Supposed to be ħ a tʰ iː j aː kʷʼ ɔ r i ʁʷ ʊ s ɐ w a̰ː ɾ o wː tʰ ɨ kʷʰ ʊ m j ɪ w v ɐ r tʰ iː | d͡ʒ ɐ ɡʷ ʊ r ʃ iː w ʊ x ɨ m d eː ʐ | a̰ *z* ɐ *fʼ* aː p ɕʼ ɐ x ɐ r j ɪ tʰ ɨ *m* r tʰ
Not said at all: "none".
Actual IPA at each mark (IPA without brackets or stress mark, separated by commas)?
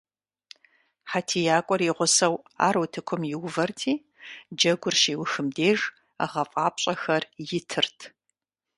ʁ, fʼ, none